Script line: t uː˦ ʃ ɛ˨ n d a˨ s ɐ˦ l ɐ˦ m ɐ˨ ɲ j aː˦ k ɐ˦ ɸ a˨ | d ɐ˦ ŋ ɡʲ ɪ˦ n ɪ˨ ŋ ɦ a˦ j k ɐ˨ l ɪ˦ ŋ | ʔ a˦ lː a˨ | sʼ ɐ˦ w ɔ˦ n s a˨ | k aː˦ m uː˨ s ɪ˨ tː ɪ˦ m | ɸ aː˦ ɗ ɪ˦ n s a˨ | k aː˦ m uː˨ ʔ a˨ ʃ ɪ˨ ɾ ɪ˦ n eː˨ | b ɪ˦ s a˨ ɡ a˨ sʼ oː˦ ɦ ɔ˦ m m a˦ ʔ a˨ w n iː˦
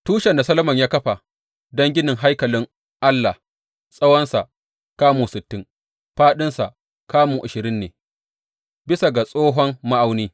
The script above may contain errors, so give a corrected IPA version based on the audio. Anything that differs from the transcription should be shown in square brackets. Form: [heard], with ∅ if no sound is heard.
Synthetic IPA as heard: t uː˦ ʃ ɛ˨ n d a˨ s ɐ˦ l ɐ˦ m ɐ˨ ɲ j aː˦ k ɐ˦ ɸ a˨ | d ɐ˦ ŋ ɡʲ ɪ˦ n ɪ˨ ŋ ɦ a˦ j k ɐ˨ l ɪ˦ ŋ | ʔ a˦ lː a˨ | sʼ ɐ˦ w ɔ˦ n s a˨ | k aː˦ m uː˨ s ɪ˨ tː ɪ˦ [ŋ] | ɸ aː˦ ɗ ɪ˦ n s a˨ | k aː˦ m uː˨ ʔ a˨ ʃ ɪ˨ ɾ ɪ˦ [nː] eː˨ | b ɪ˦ s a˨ ɡ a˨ sʼ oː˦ ɦ ɔ˦ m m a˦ ʔ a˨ w n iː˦

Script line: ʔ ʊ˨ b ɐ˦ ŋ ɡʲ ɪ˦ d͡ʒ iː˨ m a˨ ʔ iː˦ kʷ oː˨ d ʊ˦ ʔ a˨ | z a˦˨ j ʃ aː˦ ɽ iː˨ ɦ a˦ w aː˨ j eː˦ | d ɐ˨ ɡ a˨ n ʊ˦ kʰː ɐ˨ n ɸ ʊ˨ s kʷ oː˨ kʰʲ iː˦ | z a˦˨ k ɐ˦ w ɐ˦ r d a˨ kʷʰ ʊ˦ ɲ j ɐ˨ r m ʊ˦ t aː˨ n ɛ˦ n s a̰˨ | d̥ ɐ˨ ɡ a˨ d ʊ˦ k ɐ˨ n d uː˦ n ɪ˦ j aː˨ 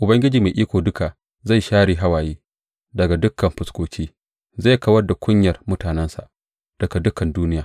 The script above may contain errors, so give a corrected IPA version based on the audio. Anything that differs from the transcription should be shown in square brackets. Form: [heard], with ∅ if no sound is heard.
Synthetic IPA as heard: ʔ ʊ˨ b ɐ˦ ŋ ɡʲ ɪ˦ d͡ʒ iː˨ m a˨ ʔ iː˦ kʷ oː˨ d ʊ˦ [k] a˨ | z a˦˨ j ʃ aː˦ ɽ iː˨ ɦ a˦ w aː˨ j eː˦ | d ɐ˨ ɡ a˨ [d] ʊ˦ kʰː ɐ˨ [m] ɸ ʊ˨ s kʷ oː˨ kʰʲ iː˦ | z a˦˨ k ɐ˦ w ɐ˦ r d a˨ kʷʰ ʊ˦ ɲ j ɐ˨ r m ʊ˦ t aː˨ n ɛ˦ n s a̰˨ | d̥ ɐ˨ ɡ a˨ d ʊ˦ k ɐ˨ n d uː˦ n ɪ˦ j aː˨

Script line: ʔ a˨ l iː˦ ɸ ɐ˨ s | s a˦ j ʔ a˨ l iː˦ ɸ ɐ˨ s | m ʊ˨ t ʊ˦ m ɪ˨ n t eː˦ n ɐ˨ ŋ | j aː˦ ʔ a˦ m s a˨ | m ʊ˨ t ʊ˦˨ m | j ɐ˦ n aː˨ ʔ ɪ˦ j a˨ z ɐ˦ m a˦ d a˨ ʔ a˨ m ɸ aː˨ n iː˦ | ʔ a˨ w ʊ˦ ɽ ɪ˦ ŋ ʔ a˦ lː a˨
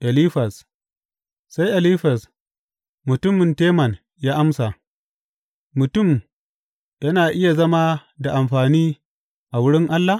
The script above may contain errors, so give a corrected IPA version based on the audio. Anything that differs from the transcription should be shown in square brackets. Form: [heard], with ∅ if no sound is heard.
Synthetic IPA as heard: ʔ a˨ l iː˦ ɸ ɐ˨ s | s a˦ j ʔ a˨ l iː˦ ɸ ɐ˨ s | m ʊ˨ t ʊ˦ m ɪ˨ n t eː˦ [m] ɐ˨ [n] | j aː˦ ʔ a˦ m s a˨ | m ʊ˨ t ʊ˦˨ m | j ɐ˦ n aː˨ ʔ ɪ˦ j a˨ z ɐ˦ m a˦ d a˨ ʔ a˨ m ɸ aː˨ n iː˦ | ʔ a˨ w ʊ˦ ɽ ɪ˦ ŋ ʔ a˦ lː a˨

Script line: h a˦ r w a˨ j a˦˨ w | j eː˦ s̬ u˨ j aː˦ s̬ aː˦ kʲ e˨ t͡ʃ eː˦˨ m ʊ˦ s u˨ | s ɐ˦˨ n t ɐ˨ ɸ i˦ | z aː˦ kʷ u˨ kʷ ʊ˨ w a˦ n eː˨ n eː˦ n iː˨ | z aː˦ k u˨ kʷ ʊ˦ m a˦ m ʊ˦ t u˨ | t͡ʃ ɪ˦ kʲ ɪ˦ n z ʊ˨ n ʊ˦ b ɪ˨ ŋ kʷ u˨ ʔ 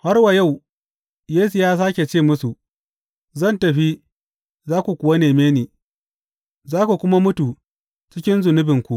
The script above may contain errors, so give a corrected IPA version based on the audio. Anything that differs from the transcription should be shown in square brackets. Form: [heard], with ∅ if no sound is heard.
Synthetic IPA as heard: h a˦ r w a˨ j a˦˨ w | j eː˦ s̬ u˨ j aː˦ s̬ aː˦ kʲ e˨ t͡ʃ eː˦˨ m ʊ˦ s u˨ | [z] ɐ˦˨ n t ɐ˨ ɸ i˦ | z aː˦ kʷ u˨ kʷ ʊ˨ w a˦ n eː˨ [m] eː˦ n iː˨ | z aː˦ k u˨ kʷ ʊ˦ m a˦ m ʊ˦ t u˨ | t͡ʃ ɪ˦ kʲ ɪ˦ n z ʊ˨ n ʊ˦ b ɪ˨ ŋ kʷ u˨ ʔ

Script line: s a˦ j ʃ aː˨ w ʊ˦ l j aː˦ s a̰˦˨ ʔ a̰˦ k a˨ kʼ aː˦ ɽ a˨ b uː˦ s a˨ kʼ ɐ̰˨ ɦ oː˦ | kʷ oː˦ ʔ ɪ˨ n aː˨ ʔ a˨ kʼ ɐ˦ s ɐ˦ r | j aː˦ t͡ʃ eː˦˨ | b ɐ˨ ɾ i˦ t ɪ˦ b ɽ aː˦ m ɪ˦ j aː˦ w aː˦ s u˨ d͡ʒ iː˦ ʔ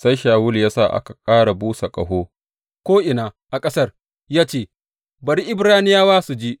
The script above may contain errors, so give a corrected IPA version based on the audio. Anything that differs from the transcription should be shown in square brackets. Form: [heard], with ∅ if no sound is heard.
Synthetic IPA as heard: s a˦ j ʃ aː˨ w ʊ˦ l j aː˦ s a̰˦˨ ʔ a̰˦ k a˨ kʼ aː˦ ɽ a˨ b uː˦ s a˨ kʼ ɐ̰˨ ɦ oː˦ | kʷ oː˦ ʔ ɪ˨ n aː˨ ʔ a˨ kʼ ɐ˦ s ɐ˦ r | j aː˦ t͡ʃ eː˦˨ | b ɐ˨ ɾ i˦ [ʔ] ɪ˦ b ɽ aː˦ [n] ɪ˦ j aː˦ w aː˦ s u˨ d͡ʒ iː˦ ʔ

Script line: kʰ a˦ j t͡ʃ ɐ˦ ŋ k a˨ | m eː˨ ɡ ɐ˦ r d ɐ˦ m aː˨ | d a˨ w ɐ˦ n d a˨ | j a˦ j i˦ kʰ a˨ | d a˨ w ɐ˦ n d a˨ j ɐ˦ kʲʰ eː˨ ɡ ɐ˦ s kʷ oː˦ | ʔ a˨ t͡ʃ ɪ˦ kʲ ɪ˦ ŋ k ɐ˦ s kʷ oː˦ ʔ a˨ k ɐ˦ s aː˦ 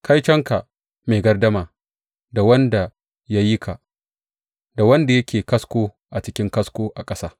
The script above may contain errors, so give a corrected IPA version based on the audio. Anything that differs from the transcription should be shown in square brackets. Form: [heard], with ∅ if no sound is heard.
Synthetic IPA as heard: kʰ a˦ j t͡ʃ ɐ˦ ŋ k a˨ | m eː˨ ɡ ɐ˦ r d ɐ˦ m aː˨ | d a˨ w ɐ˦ n d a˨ | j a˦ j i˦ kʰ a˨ | d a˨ w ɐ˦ n d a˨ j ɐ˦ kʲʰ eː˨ [k] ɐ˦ s kʷ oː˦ | ʔ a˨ t͡ʃ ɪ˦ kʲ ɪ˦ ŋ k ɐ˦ s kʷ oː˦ ʔ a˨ [kʼ] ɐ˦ s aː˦

